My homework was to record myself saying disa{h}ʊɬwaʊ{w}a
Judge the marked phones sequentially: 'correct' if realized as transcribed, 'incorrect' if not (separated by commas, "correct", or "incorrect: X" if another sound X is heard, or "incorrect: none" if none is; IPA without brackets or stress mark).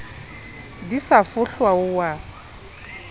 incorrect: f, correct